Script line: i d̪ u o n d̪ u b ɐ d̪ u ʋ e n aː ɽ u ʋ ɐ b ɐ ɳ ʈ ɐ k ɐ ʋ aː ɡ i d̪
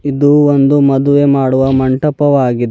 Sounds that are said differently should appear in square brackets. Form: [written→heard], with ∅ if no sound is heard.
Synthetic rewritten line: i d̪ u o n d̪ u [b→m] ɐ d̪ u ʋ e [n→m] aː ɽ u ʋ ɐ [b→m] ɐ ɳ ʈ ɐ [k→p] ɐ ʋ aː ɡ i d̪

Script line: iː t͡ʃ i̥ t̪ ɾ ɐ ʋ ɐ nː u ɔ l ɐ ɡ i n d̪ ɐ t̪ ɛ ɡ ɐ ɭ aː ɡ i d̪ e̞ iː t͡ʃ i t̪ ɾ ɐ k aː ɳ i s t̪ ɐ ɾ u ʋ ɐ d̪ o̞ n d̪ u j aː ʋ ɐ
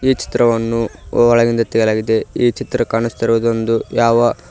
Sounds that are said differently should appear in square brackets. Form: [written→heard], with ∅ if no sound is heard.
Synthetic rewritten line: iː t͡ʃ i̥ t̪ ɾ ɐ ʋ ɐ nː u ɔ [l→ɭ] ɐ ɡ i n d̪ ɐ t̪ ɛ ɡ ɐ [ɭ→l] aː ɡ i d̪ e̞ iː t͡ʃ i t̪ ɾ ɐ k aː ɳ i s t̪ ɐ ɾ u ʋ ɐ d̪ o̞ n d̪ u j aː ʋ ɐ

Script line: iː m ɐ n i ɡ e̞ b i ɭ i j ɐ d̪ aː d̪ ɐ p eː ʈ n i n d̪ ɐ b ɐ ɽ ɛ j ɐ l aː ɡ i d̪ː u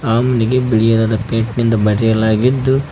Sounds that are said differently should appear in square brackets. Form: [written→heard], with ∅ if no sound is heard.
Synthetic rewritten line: [iː→aː] m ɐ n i ɡ e̞ b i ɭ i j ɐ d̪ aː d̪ ɐ p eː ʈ n i n d̪ ɐ b ɐ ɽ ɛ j ɐ l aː ɡ i d̪ː u

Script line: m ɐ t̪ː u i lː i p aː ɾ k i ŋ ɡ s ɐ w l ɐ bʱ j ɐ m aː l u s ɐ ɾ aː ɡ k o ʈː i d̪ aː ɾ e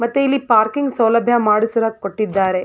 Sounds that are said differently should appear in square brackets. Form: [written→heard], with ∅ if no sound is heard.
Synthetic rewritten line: m ɐ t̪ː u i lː i p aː ɾ k i ŋ ɡ s ɐ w l ɐ bʱ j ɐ m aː [l→ɽ] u s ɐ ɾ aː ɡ k o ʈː i [d̪→d̪ː] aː ɾ e

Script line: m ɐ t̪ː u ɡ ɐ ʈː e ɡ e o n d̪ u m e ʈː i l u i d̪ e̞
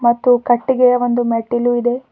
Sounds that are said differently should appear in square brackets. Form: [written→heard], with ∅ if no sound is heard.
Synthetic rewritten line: m ɐ t̪ː u [ɡ→k] ɐ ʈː [e→i] ɡ e o n d̪ u m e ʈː i l u i d̪ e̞

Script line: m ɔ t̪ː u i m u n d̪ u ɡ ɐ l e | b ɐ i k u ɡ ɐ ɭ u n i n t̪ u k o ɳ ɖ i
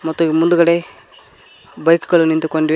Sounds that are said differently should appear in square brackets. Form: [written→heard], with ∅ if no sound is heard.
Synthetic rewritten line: m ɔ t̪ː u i m u n d̪ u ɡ ɐ [l→ɽ] e | b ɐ [i→j] k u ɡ ɐ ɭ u n i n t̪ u k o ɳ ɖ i

